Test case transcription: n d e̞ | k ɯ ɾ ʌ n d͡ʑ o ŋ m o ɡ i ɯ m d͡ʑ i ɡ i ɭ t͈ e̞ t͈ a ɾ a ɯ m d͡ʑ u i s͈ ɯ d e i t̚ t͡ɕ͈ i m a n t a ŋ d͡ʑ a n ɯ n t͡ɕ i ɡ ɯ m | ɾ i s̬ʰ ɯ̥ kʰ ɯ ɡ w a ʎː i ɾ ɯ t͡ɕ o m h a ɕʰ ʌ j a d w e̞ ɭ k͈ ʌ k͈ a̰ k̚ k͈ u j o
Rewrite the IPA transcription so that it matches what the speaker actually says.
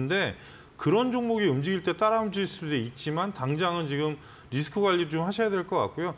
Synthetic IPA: n d e̞ | k ɯ ɾ ʌ n d͡ʑ o ŋ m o ɡ i ɯ m d͡ʑ i ɡ i ɭ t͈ e̞ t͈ a ɾ a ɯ m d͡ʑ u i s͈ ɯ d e i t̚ t͡ɕ͈ i m a n t a ŋ d͡ʑ a ŋ ɯ n t͡ɕ i ɡ ɯ m | ɾ i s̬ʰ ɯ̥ kʰ ɯ ɡ w a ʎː i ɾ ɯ t͡ɕ o m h a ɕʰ ʌ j a d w e̞ ɭ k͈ ʌ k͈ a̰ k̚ k͈ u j o